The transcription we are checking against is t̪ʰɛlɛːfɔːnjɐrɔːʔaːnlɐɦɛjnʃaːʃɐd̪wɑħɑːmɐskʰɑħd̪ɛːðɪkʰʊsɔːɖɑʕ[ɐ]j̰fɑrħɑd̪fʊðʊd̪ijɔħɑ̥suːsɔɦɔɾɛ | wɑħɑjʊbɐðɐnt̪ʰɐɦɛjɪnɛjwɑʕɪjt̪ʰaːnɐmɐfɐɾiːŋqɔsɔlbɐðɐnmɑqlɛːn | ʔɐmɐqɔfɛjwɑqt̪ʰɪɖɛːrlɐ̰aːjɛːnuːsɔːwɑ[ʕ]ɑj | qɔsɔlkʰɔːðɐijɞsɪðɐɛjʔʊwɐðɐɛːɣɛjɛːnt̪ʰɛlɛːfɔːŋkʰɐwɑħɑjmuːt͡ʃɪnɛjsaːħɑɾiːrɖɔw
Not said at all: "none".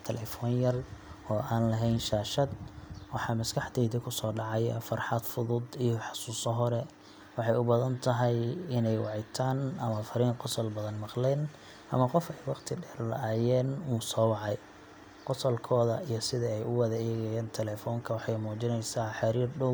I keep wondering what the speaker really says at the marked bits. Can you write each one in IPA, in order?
ɑ, ʕ

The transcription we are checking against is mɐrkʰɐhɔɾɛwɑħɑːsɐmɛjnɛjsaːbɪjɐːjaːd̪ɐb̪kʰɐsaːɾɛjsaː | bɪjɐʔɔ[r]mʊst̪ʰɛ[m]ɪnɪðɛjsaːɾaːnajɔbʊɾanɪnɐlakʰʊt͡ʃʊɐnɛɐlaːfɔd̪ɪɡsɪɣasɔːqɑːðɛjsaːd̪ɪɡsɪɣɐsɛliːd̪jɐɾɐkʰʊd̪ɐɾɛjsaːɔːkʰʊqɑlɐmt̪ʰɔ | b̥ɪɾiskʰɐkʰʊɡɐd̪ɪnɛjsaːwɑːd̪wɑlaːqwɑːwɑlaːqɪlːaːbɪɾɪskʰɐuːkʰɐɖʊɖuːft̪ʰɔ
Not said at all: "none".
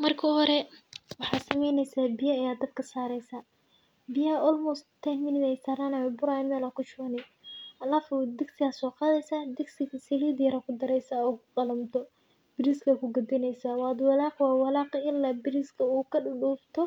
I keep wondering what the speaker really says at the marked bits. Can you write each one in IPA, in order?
l, m

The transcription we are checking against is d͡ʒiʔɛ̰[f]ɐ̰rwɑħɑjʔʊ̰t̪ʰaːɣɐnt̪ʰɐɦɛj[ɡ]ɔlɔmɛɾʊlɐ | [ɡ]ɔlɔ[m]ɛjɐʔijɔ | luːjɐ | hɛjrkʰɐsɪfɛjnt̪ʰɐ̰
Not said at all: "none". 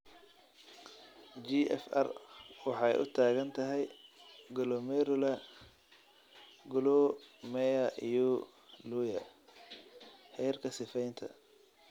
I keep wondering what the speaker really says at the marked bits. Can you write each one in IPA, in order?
f, ɡ, ɡ, m

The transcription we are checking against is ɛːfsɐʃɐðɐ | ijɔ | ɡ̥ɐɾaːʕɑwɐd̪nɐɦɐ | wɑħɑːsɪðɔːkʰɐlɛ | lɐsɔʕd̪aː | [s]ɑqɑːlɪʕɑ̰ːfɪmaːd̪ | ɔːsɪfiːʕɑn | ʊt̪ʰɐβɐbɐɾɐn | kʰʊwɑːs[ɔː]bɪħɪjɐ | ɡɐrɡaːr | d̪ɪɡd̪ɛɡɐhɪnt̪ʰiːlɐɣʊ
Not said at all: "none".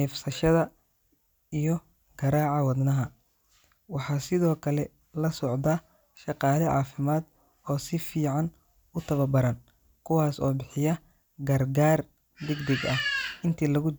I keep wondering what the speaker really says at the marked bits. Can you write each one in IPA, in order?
ʃ, ɔː

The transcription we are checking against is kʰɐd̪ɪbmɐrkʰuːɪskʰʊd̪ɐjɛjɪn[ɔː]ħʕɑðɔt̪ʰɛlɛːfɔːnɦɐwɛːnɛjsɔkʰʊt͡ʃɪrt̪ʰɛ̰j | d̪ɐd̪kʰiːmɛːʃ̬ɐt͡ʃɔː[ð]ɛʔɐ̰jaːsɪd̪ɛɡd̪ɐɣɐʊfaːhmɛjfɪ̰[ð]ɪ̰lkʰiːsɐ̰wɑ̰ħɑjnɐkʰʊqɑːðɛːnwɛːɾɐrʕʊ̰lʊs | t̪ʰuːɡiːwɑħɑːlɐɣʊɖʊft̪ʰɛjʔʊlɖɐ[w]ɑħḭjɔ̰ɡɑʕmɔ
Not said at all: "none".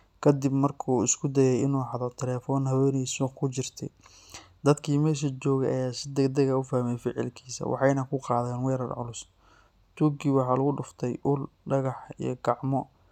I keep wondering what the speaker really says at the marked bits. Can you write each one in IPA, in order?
uː, ɣ, ʕ, ɣ

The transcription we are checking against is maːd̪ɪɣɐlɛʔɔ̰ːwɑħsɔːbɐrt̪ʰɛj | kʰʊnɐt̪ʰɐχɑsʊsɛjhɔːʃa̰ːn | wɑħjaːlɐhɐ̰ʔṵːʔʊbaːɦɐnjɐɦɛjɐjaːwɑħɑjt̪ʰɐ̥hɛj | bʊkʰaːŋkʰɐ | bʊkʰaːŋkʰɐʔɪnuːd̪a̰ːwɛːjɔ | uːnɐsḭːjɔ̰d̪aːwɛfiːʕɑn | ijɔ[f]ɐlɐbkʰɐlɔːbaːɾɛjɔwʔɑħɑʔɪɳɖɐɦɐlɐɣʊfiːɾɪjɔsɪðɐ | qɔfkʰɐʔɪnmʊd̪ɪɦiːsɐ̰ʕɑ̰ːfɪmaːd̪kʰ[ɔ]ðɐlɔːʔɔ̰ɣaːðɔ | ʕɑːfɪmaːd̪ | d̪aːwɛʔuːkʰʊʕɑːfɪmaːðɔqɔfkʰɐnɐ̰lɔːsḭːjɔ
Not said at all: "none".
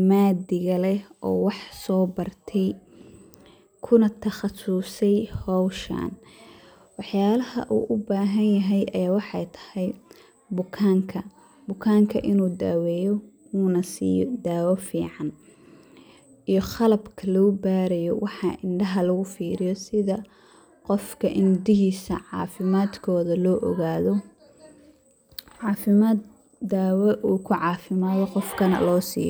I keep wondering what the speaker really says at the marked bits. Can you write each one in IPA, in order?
χ, ɔː

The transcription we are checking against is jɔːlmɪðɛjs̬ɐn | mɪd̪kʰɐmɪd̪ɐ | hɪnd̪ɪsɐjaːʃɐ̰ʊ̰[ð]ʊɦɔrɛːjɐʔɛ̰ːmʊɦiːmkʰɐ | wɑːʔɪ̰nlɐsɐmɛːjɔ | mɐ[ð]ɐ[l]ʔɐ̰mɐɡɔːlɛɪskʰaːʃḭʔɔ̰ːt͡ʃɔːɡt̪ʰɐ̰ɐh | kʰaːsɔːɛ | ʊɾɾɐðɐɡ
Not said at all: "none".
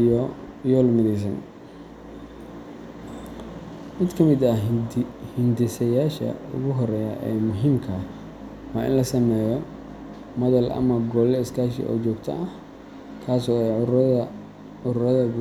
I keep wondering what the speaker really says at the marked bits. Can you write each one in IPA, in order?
ɣ, ð, l

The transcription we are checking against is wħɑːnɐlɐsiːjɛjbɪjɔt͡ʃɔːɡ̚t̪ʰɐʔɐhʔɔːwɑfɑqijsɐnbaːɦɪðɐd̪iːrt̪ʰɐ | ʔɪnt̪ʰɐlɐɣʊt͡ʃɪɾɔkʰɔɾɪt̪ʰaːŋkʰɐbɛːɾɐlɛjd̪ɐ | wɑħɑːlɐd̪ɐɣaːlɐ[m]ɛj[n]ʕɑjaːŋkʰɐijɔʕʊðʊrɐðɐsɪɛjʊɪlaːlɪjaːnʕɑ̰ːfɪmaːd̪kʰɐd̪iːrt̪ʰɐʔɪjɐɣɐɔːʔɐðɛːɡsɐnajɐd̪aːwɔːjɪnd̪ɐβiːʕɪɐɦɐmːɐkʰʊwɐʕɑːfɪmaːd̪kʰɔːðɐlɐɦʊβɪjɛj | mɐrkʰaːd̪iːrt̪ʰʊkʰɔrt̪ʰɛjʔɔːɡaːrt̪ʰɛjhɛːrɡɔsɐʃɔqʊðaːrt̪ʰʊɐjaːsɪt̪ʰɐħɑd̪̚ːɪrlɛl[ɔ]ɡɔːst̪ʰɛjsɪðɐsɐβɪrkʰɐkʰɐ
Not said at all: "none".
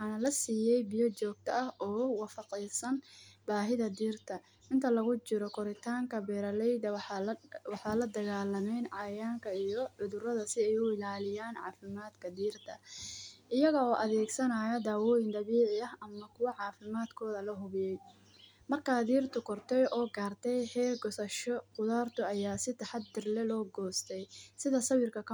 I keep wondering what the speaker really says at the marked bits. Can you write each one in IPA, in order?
m, n, ɔː

